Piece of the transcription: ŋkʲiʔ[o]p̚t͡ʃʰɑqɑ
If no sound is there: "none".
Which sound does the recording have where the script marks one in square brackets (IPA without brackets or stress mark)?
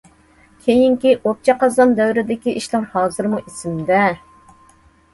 o